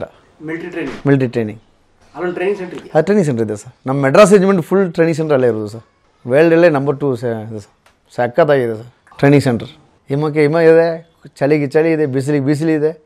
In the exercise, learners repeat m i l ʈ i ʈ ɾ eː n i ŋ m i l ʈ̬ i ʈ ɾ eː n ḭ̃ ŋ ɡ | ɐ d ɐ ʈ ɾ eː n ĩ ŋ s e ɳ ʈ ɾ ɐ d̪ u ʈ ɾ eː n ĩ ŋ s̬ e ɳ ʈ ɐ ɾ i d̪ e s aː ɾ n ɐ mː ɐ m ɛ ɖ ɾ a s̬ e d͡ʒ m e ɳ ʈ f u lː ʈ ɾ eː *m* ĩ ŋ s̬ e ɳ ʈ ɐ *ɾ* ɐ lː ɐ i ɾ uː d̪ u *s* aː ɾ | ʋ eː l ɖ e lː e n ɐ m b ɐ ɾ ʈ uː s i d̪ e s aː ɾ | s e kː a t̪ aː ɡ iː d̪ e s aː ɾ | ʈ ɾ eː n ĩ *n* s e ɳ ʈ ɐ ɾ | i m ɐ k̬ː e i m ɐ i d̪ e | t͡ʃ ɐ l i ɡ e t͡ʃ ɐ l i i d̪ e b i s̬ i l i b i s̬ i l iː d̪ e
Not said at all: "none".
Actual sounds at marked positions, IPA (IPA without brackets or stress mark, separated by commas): n, ɾ, s, ŋ